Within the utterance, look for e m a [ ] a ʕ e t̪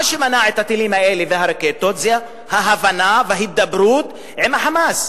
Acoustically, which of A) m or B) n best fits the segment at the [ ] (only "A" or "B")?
B